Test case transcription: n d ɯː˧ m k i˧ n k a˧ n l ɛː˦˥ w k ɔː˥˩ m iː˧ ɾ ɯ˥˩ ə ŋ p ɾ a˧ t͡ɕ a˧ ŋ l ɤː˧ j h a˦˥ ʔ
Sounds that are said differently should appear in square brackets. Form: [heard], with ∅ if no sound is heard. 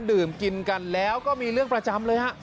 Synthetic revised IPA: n d [ɯː˨˩] m k i˧ n k a˧ n l ɛː˦˥ w k ɔː˥˩ m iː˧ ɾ ɯ˥˩ ə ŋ p ɾ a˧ t͡ɕ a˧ [m] l ɤː˧ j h a˦˥ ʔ

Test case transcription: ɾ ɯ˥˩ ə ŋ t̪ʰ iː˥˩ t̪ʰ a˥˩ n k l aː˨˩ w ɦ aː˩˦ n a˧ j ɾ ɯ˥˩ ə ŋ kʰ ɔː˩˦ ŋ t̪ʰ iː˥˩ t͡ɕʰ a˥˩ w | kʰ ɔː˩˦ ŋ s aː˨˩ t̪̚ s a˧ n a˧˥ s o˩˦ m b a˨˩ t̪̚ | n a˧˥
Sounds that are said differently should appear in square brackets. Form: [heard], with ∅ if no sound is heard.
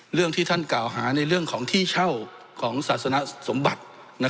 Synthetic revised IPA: ɾ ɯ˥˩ ə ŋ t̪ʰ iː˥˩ t̪ʰ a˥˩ n k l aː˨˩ w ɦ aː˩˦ n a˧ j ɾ ɯ˥˩ ə ŋ kʰ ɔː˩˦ ŋ t̪ʰ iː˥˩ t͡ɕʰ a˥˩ w | kʰ ɔː˩˦ ŋ s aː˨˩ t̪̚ s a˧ n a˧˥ s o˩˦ m b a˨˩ t̪̚ | n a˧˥

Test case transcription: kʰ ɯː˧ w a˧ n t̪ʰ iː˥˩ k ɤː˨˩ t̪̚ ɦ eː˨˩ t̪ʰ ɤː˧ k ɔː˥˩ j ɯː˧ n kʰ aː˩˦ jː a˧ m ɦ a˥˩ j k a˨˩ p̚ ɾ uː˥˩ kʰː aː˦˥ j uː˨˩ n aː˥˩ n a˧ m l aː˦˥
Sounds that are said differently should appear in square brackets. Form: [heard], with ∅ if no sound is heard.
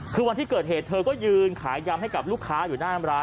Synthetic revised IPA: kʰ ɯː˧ w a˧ n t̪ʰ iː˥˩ k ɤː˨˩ t̪̚ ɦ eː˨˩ t̪ʰ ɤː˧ k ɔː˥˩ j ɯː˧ n kʰ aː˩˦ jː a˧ m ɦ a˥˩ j k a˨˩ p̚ [l] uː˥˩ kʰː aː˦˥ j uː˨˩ n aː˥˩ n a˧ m [ɾ] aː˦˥

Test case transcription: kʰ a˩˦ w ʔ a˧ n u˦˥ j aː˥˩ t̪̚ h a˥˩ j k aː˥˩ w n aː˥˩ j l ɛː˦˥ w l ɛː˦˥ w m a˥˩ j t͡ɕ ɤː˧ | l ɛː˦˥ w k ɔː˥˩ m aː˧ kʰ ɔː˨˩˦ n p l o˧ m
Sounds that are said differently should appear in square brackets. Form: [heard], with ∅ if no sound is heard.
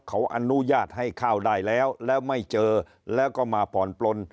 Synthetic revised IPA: kʰ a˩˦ w ʔ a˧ n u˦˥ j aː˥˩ t̪̚ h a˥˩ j [kʰ] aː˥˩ w [d] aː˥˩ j l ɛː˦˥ w l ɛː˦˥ w m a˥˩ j t͡ɕ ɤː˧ | l ɛː˦˥ w k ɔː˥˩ m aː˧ [pʰ] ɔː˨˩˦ n p l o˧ [n]

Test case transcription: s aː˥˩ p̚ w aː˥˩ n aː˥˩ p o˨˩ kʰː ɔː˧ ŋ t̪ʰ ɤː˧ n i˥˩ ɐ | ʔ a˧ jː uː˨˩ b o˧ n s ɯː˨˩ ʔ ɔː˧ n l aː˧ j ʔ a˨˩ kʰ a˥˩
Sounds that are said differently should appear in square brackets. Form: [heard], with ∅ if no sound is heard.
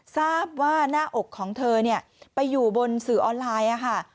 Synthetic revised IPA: s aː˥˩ p̚ w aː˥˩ n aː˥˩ [ʔ] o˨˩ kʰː [ɔː˩˦] ŋ t̪ʰ ɤː˧ n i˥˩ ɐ | [p] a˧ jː uː˨˩ b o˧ n s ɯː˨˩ ʔ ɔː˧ n l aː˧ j ʔ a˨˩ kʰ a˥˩

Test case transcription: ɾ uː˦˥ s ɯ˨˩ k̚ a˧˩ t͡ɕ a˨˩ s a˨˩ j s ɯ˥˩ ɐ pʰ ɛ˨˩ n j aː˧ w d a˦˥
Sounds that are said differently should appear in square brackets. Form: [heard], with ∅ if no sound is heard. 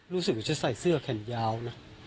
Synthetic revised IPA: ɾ uː˦˥ s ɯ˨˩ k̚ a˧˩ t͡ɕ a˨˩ s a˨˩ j s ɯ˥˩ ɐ [kʰ] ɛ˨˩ n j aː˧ w [n] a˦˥

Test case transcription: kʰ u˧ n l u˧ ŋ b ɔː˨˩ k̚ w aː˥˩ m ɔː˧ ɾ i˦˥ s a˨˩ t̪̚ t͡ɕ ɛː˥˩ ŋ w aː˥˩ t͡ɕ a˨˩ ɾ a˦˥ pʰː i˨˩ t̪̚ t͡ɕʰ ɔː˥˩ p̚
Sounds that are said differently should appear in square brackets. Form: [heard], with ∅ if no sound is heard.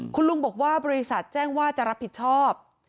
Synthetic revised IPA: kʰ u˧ n l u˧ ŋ b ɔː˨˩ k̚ w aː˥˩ [b] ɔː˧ ɾ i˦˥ s a˨˩ t̪̚ t͡ɕ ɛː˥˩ ŋ w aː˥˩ t͡ɕ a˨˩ ɾ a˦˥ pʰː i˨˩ t̪̚ t͡ɕʰ ɔː˥˩ p̚

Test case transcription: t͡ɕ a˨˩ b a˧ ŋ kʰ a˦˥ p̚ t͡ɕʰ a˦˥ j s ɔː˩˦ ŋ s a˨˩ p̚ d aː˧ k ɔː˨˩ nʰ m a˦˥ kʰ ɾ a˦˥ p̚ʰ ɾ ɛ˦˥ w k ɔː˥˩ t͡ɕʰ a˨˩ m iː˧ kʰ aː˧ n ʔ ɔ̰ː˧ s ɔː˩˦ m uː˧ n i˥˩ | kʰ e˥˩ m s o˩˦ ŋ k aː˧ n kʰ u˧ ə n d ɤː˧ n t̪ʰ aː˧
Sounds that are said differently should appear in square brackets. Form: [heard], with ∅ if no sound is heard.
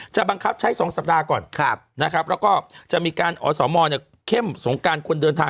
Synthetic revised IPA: t͡ɕ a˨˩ b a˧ ŋ kʰ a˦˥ p̚ t͡ɕʰ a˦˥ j s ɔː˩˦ ŋ s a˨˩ p̚ d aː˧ k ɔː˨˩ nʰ [n] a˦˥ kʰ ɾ a˦˥ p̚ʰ ɾ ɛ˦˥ w k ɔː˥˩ [t͡ɕ] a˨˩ m iː˧ [k] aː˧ n ʔ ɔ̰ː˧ s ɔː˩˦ m [ɔː˧] n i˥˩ | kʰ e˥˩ m s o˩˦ ŋ k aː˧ n kʰ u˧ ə n d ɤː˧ n t̪ʰ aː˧

